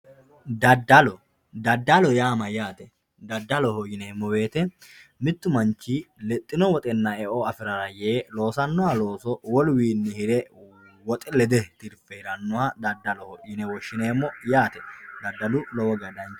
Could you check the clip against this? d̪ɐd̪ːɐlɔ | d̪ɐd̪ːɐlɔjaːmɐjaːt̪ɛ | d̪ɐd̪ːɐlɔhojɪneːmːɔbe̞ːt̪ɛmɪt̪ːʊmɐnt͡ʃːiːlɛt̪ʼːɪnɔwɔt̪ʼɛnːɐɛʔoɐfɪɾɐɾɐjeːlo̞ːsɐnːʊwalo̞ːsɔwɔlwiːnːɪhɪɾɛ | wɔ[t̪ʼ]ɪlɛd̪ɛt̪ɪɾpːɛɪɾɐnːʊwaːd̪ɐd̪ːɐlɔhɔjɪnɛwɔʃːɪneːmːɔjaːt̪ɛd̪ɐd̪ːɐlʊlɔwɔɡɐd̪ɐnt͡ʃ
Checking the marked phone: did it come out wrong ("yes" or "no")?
no